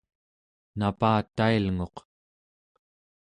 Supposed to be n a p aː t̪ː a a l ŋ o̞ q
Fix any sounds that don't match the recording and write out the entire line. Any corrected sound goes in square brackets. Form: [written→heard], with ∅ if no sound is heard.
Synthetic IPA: n a p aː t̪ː a [a→i] l ŋ o̞ q